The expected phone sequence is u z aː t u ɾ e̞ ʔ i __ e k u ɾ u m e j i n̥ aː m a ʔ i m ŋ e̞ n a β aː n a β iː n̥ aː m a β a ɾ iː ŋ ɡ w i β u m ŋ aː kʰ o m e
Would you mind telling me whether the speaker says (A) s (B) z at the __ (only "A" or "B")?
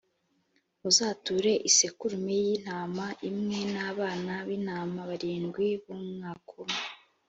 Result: A